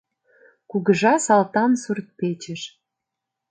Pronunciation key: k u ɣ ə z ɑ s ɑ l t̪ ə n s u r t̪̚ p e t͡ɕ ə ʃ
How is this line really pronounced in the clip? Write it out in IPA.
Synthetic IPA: k u ɣ ə ʒ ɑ s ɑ l t̪ ɑ n s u r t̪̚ p e t͡ɕ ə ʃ

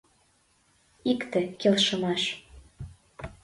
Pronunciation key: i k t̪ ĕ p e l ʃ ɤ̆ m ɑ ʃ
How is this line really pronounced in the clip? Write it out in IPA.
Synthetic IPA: i k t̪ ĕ k e l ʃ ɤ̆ m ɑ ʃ

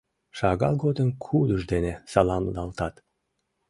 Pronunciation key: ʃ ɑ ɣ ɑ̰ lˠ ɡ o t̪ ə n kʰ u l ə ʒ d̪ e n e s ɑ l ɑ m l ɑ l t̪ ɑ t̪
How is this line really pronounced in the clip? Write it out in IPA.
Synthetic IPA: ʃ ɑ ɣ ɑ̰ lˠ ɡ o d̪ ə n kʰ u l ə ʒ d̪ e n e s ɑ l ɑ m l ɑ l t̪ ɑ t̪

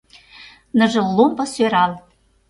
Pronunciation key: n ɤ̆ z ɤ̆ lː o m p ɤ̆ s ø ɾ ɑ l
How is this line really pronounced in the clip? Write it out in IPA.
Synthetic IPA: n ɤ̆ ʒ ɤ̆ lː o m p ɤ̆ s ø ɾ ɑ l

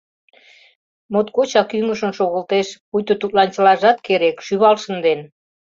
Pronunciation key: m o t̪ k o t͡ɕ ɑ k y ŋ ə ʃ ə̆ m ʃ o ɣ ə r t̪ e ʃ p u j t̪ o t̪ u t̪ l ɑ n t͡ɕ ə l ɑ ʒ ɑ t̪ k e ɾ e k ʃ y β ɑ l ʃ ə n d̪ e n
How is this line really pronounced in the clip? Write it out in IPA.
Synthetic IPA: m o t̪ k o t͡ɕ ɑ k y ŋ ə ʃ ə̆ n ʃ o ɣ ə l t̪ e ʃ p u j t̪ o t̪ u t̪ l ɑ n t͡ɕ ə l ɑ ʒ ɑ t̪ k e ɾ e k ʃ y β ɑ l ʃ ə n d̪ e n

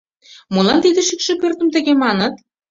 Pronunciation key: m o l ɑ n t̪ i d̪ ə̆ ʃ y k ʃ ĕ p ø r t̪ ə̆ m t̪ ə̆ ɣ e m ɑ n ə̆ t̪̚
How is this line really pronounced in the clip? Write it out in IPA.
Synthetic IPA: m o l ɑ n t̪ i d̪ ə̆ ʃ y k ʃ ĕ p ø r t̪ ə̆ m t̪ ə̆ ɣ e m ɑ n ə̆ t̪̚

